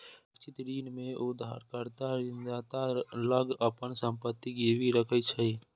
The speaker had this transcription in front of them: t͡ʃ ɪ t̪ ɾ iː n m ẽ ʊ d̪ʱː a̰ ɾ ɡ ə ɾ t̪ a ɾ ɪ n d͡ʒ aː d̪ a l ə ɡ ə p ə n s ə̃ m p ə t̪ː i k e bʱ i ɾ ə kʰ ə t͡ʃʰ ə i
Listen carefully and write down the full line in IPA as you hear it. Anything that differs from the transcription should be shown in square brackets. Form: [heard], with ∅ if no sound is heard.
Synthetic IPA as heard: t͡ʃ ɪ t̪ ɾ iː n m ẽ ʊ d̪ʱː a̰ ɾ [k] ə ɾ t̪ a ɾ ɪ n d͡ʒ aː [t̪] a l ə ɡ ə p ə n s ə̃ m p ə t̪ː i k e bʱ i ɾ ə kʰ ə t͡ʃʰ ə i